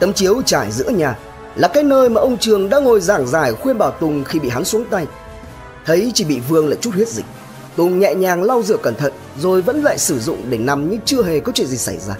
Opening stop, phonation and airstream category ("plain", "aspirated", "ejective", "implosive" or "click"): plain